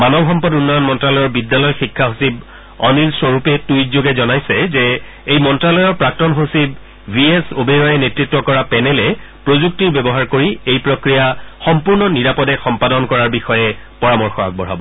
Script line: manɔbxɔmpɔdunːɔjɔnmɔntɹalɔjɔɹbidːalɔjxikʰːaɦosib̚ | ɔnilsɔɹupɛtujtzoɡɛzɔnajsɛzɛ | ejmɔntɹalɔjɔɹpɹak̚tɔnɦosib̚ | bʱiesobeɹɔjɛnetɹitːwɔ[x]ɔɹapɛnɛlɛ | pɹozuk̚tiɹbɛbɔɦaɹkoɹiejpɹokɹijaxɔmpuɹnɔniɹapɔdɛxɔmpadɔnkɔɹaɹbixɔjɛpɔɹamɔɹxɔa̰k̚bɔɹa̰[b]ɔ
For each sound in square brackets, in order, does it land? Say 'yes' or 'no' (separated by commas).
no, yes